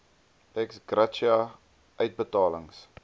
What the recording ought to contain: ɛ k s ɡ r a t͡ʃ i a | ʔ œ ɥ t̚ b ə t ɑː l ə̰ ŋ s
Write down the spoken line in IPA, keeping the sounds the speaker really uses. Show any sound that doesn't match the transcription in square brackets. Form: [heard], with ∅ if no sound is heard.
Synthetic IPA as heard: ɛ k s ɡ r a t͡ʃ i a | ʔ œ ɥ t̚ b ə t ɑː l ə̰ ŋ s